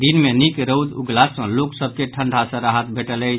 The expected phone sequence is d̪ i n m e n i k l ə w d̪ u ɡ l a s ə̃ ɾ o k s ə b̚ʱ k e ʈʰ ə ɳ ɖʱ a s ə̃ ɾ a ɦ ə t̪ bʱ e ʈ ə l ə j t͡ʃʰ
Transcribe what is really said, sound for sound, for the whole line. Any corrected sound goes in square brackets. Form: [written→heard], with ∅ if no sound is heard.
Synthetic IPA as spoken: d̪ i n m e n i k [l→ɾ] ə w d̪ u ɡ l a s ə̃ [ɾ→l] o k s ə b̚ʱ k e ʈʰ ə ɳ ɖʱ a s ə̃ ɾ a ɦ ə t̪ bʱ e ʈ ə l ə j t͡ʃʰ